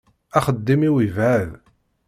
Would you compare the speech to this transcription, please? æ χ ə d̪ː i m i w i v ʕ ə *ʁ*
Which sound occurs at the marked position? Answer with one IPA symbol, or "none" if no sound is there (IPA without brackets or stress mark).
ð